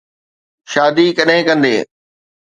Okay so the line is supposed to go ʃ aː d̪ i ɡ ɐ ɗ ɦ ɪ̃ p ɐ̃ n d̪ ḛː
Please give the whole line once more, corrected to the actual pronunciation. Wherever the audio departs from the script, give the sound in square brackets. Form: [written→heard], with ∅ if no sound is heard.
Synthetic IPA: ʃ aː d̪ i [ɡ→k] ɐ ɗ ɦ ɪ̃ [p→k] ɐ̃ n d̪ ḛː

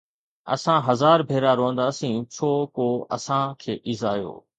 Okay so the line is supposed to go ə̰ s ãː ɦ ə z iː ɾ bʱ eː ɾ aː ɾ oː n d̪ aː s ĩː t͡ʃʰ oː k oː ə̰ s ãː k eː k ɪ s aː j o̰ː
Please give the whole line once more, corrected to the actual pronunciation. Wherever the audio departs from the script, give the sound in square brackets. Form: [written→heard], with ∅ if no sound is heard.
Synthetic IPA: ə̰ s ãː ɦ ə z [iː→aː] ɾ bʱ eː ɾ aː ɾ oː n d̪ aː s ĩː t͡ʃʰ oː k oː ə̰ s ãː [k→kʰ] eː [k→ʔ] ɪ [s→z] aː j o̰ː

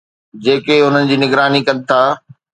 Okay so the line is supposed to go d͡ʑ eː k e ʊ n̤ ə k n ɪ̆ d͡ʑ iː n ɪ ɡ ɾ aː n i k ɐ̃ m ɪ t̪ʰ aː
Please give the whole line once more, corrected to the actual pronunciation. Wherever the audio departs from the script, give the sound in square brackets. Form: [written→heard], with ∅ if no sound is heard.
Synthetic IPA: d͡ʑ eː k e ʊ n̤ ə [k→∅] n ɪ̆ d͡ʑ iː n ɪ ɡ ɾ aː n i k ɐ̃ [m→n] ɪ t̪ʰ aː

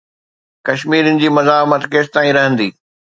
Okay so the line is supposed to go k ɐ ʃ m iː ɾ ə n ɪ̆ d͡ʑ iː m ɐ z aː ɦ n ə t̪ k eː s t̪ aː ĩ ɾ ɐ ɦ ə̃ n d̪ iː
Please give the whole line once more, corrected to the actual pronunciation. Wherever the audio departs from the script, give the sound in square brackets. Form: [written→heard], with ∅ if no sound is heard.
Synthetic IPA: k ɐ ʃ m iː ɾ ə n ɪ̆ d͡ʑ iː m ɐ z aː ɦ [n→m] ə t̪ k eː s t̪ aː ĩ ɾ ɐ ɦ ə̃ n d̪ iː

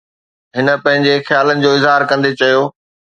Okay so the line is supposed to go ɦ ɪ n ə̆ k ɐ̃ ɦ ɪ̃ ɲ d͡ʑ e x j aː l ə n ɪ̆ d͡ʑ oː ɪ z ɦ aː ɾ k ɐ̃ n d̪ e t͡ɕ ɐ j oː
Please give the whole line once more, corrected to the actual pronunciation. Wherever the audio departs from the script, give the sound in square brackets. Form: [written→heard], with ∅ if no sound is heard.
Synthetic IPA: ɦ ɪ n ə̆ [k→p] ɐ̃ ɦ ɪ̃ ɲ d͡ʑ e x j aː l ə n ɪ̆ d͡ʑ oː ɪ z ɦ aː ɾ k ɐ̃ n d̪ e t͡ɕ ɐ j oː

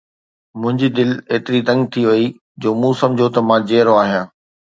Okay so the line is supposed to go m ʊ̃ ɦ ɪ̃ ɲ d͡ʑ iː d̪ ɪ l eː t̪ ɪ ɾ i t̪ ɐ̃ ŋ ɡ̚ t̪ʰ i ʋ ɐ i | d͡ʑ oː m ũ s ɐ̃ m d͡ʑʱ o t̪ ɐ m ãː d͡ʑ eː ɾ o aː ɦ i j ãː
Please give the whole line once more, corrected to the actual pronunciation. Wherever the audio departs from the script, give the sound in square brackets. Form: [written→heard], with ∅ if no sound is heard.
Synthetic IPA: m ʊ̃ ɦ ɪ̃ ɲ d͡ʑ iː d̪ ɪ l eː t̪ ɪ ɾ i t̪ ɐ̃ ŋ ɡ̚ t̪ʰ i ʋ ɐ i | d͡ʑ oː m ũ s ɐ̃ m d͡ʑʱ o t̪ ɐ m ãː d͡ʑ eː ɾ o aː ɦ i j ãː

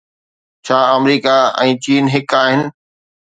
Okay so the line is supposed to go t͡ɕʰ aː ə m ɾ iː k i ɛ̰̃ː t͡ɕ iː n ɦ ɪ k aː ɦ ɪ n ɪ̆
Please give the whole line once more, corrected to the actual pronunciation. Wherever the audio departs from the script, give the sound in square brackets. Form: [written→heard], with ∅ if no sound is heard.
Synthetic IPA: t͡ɕʰ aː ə m ɾ iː k [i→a] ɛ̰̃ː t͡ɕ iː n ɦ ɪ k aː ɦ ɪ n ɪ̆

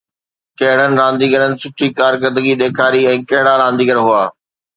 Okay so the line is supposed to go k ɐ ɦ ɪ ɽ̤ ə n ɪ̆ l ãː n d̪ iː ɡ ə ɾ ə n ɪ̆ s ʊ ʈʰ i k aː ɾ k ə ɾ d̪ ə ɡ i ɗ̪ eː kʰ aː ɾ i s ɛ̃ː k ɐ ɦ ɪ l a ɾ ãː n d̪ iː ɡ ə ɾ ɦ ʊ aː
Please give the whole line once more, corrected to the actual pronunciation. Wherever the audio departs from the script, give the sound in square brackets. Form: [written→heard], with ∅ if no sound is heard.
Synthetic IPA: k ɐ ɦ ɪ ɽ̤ ə n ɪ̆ [l→ɾ] ãː n d̪ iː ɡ ə ɾ ə n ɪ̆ s ʊ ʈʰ i k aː ɾ k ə ɾ d̪ ə ɡ i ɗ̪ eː kʰ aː ɾ i [s→∅] ɛ̃ː k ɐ ɦ ɪ [l→ɽ] a ɾ ãː n d̪ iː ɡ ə ɾ ɦ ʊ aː

